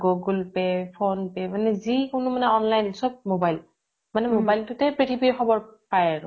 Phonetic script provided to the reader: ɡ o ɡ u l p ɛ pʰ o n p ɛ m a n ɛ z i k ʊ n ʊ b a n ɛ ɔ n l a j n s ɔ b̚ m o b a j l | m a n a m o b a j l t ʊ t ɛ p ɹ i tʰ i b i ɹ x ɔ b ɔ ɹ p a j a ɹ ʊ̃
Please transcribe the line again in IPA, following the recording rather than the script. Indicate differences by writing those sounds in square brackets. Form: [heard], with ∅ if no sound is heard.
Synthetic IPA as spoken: ɡ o ɡ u l p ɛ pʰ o n p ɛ m a n ɛ z i k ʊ n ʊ [m] a n ɛ ɔ n l a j n s ɔ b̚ m o b a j l | m a n [ɛ] m o b a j l t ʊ t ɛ p ɹ i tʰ i b i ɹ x ɔ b ɔ ɹ p a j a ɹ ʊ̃